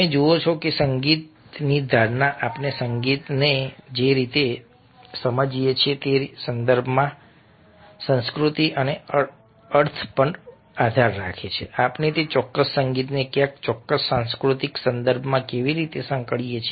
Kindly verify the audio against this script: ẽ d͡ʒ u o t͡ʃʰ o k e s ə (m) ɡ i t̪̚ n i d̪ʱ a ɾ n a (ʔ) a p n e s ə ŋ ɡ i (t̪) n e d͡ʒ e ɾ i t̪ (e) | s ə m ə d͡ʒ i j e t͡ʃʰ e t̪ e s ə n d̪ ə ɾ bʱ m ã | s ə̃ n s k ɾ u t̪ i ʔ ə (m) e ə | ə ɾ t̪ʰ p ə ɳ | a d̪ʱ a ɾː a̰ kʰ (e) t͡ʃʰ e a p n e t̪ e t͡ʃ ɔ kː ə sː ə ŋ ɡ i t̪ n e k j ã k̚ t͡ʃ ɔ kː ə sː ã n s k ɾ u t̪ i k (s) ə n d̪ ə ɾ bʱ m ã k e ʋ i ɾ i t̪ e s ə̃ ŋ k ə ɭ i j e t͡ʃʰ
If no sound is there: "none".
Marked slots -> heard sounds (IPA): ŋ, ʔ, t̪, e, n, e, s

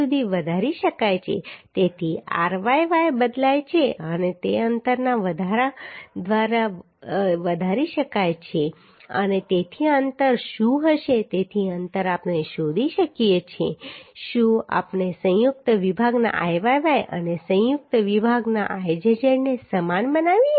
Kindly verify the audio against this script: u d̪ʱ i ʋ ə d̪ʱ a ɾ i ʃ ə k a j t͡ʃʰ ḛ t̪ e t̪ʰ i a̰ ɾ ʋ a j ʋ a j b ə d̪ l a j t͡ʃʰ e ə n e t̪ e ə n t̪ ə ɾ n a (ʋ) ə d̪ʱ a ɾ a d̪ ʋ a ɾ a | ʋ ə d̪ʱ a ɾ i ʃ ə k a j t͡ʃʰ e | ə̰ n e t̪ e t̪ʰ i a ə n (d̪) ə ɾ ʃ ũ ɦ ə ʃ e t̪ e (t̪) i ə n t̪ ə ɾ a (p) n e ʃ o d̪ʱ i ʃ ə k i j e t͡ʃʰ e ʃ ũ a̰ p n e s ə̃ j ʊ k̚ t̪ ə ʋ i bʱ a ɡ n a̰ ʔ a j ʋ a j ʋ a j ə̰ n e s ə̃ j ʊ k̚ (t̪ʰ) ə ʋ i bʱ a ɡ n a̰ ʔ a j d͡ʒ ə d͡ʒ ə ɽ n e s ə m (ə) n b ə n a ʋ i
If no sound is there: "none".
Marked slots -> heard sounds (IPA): ʋ, t̪, t̪ʰ, p, t̪, a

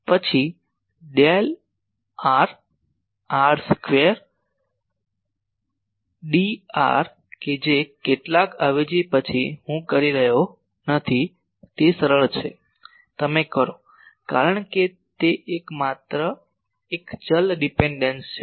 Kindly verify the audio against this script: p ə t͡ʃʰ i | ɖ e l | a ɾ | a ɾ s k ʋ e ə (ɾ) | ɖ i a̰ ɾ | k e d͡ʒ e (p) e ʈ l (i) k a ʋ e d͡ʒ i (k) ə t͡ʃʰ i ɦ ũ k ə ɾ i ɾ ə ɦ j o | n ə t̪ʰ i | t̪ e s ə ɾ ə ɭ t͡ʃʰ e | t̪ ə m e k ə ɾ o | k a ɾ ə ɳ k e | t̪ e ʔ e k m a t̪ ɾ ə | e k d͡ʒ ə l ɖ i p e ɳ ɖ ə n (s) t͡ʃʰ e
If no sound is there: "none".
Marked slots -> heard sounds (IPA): ɾ, k, a, p, s

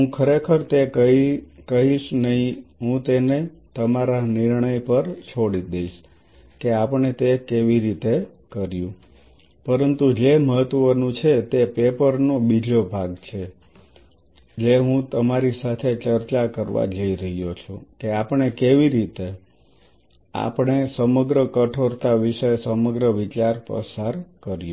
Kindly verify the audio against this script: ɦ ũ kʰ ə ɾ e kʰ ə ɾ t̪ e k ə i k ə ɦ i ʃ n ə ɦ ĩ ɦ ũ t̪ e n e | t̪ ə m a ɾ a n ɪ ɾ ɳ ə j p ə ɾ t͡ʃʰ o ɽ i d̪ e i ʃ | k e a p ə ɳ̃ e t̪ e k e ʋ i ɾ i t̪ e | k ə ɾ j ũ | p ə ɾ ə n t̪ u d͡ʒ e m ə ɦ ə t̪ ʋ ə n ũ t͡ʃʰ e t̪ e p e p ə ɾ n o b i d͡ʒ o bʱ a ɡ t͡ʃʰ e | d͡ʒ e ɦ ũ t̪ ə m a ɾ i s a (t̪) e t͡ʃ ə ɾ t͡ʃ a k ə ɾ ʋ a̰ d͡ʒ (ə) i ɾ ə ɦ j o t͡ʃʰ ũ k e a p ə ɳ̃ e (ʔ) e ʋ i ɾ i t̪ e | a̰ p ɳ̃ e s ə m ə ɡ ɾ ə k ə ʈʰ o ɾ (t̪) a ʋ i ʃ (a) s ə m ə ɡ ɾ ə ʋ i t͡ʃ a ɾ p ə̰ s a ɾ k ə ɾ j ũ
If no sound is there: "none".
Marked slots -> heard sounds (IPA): t̪ʰ, ə, k, t̪, ə

